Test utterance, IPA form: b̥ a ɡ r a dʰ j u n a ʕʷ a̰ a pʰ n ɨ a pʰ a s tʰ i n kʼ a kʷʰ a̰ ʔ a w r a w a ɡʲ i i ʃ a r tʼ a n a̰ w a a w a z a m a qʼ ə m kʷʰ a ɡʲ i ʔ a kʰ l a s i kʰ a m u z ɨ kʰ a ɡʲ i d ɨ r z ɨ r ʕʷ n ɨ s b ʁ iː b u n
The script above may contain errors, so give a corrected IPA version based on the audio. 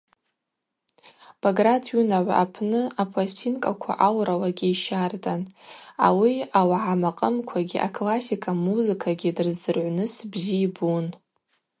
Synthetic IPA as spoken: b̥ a ɡ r a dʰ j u n a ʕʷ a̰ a pʰ n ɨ a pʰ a s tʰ i n kʼ a kʷʰ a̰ ʔ a w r a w a ɡʲ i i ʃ a r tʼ a n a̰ w i a w a ʕ a m a qʼ ə m kʷʰ a ɡʲ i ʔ a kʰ l a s i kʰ a m u z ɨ kʰ a ɡʲ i d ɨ r z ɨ r ʕʷ n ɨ s b z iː b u n